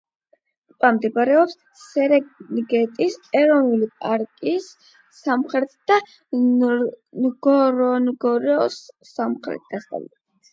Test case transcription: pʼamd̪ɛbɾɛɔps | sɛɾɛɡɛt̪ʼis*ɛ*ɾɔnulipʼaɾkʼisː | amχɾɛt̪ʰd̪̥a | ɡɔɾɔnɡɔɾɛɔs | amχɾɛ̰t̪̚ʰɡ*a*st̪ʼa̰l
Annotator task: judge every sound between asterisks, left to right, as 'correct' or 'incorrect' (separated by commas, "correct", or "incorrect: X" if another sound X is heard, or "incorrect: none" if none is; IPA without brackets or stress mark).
correct, correct